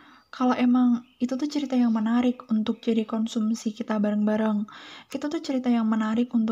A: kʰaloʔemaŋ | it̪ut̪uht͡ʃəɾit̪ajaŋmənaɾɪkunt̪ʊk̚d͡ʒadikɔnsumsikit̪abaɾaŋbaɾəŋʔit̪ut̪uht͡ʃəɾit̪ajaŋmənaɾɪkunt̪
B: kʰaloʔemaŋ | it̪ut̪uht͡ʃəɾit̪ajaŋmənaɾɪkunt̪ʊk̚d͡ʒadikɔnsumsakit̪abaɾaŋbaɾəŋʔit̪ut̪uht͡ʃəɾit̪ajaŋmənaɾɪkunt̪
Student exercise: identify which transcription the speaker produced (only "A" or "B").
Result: A